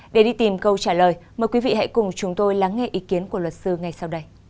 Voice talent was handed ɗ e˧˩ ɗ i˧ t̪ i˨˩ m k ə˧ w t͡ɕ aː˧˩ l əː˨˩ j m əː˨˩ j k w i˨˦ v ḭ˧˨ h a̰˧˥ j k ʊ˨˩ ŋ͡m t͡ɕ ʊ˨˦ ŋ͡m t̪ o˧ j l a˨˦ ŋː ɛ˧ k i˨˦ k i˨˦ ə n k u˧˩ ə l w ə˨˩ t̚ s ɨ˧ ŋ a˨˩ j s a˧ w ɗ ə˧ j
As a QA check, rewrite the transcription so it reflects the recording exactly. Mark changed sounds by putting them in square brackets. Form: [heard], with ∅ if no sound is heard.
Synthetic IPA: ɗ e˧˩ ɗ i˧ t̪ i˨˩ m k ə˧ w t͡ɕ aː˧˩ l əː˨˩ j m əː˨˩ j k w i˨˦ v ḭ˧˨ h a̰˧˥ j k ʊ˨˩ ŋ͡m t͡ɕ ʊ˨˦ ŋ͡m t̪ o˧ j l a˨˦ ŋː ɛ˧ [ʔ] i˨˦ k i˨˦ ə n k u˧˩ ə l w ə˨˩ t̚ s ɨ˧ ŋ a˨˩ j s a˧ w ɗ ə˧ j